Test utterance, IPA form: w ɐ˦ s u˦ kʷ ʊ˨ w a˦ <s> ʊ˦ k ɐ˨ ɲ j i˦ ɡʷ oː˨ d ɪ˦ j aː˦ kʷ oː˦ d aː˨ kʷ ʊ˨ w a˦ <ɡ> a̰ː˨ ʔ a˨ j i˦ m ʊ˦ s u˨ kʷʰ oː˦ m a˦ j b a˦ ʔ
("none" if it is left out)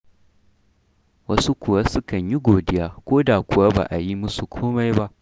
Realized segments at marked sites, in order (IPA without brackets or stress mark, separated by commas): s, b